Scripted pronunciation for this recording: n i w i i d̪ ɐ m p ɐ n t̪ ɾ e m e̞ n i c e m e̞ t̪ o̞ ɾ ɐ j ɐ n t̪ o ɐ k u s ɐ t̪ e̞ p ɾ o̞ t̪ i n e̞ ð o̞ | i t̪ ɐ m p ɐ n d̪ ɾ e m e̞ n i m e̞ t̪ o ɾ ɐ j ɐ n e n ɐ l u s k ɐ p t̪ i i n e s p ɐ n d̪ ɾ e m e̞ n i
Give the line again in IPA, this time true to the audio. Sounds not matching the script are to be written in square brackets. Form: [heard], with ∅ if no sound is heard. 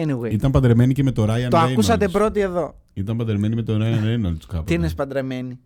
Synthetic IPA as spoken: n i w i i [t̪] ɐ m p ɐ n [d̪] ɾ e m e̞ n i c e m e̞ t̪ o̞ ɾ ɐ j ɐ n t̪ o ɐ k u s ɐ t̪ e̞ p ɾ o̞ t̪ i [∅] e̞ ð o̞ | i t̪ ɐ m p ɐ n d̪ ɾ e m e̞ n i m e̞ t̪ o ɾ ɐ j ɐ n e n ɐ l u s k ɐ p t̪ i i n e s p ɐ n d̪ ɾ e m e̞ n i